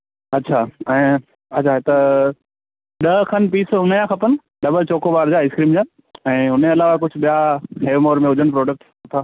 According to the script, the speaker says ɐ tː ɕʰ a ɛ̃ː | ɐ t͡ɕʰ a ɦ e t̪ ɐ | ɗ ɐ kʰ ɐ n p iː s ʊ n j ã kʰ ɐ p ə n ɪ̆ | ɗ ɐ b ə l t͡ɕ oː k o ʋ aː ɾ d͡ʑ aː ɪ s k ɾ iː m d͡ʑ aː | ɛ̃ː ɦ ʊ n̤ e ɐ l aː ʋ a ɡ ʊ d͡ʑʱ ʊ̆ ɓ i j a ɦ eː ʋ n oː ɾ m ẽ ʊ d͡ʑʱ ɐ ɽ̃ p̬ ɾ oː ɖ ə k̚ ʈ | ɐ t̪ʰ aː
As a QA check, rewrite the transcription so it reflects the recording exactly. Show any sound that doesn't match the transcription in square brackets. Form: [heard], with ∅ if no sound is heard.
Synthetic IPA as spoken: ɐ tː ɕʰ a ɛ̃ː | ɐ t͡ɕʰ a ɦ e t̪ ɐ | ɗ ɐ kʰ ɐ n p iː s ʊ n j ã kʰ ɐ p ə n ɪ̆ | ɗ ɐ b ə l t͡ɕ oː k o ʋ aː ɾ d͡ʑ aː ɪ s k ɾ iː m d͡ʑ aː | ɛ̃ː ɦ ʊ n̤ e ɐ l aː ʋ a [k] ʊ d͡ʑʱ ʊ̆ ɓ i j a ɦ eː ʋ [m] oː ɾ m ẽ ʊ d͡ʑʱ [ə] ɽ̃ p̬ ɾ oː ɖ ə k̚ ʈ | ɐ t̪ʰ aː